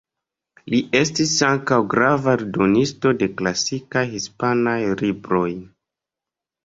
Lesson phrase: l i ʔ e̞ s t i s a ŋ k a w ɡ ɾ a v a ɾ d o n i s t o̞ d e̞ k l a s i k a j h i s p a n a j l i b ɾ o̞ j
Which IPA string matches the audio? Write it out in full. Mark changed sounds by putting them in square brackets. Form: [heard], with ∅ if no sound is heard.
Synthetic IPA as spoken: l i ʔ e̞ s t i s a ŋ k a w ɡ ɾ a v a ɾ d o n i s t o̞ d e̞ k l a s i k a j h i s p a n a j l i b ɾ o̞ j